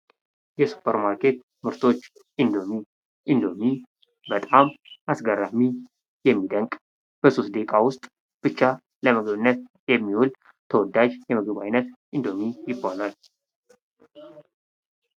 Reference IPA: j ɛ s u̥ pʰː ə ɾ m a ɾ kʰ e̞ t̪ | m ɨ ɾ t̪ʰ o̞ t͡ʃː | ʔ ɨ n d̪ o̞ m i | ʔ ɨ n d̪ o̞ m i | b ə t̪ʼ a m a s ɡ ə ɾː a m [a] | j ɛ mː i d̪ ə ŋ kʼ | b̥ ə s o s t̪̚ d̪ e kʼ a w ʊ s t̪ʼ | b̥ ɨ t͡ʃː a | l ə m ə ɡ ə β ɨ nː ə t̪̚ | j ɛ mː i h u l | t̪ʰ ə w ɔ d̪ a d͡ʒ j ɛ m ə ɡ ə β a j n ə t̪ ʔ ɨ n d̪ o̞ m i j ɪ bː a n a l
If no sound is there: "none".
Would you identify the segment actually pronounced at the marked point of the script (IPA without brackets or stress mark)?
i